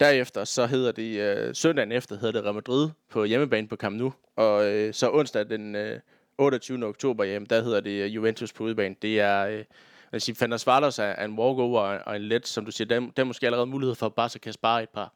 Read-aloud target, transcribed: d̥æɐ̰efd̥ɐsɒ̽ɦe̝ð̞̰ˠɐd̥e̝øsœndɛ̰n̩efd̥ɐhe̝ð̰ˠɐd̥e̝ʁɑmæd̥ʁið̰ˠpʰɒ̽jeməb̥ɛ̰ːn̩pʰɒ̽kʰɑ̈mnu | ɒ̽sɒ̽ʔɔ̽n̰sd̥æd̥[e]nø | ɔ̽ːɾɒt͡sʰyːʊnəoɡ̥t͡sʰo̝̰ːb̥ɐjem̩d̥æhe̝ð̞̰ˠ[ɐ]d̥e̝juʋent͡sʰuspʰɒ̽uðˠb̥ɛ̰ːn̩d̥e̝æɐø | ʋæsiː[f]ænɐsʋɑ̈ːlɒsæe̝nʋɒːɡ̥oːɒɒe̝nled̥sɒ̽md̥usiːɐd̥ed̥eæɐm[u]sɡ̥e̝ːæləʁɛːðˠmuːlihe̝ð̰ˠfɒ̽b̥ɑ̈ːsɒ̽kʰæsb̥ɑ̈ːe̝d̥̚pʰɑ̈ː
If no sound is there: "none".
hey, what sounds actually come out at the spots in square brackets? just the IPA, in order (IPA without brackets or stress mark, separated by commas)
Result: e, ɐ, f, o